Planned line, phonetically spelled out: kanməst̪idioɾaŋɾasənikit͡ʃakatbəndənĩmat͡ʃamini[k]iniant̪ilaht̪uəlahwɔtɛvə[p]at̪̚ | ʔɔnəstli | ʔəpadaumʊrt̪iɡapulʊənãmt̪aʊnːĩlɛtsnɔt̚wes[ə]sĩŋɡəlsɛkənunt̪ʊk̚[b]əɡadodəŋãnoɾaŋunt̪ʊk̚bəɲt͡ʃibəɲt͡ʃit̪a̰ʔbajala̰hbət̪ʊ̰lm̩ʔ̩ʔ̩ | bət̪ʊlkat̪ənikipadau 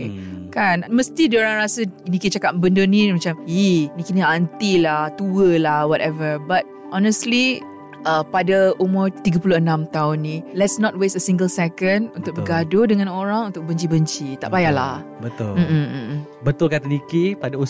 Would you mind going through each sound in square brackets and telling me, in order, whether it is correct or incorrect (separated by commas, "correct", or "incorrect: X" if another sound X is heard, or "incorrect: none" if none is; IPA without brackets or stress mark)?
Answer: correct, incorrect: b, correct, correct